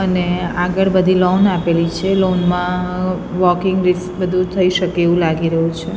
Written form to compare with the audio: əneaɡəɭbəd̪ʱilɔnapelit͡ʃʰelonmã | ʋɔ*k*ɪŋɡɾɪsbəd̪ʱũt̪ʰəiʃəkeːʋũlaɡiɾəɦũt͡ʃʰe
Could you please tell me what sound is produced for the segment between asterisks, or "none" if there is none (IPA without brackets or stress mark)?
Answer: k